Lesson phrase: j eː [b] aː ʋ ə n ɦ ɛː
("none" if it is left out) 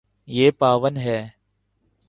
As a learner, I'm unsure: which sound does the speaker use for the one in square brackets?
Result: p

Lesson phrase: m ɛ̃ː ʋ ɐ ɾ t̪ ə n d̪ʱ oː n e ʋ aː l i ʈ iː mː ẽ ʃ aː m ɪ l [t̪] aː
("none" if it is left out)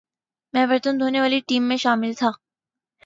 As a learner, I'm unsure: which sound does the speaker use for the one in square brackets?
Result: t̪ʰ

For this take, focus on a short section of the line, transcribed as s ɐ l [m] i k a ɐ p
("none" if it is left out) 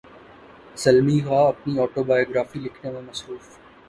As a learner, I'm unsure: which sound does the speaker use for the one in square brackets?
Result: m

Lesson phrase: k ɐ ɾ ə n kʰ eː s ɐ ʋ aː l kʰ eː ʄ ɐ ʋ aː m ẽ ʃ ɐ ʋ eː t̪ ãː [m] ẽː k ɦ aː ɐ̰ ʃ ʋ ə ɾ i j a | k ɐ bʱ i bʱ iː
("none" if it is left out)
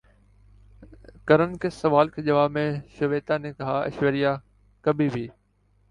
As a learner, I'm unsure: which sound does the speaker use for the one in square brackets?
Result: n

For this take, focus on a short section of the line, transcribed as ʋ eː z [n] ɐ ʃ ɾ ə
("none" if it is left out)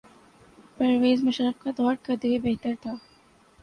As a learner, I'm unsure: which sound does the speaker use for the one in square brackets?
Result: m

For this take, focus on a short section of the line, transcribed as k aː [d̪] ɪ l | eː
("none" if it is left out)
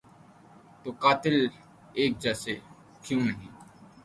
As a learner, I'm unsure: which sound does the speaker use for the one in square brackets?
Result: t̪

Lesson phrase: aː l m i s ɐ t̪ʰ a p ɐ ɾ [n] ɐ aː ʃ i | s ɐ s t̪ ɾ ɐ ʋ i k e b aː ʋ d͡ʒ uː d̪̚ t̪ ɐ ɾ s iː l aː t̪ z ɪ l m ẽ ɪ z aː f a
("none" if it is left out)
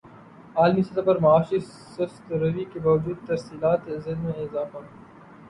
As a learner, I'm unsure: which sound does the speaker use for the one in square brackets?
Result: m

